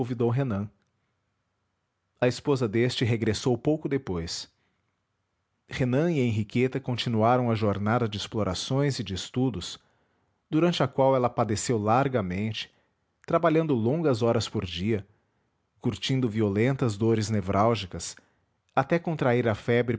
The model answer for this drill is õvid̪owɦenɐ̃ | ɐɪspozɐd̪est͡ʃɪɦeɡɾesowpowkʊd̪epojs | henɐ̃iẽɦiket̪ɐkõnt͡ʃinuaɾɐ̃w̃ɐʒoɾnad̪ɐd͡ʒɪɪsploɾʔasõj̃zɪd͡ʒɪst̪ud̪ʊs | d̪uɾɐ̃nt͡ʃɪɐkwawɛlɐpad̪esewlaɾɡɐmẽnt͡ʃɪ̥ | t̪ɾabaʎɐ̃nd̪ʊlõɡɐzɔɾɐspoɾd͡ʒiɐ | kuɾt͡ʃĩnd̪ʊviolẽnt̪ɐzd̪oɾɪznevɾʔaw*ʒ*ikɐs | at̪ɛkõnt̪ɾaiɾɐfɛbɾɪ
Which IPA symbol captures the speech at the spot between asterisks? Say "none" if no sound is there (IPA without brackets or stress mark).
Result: ʒ